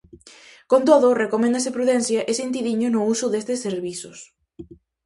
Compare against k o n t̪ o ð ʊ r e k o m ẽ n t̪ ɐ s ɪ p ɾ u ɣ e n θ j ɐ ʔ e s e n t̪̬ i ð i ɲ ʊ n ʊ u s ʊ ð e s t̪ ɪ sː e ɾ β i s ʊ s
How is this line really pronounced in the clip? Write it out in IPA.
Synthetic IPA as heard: k o n t̪ o ð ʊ r e k o m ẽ n d̪ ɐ s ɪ p ɾ u ð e n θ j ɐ ʔ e s e n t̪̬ i ð i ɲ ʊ n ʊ u s ʊ ð e s t̪ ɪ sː e ɾ β i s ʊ s